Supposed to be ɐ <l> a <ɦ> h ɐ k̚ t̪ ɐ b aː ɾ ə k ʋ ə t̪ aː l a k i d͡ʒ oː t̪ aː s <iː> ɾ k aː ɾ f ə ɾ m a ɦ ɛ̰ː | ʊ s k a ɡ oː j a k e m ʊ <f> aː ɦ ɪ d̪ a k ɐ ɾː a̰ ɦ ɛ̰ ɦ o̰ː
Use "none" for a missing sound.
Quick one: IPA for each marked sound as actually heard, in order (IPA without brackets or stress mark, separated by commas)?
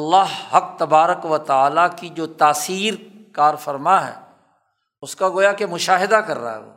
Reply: lː, ɦ, iː, ʃ